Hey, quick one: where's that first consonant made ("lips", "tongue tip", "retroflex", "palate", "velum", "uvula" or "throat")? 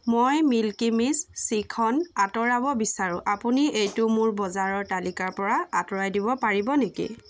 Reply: lips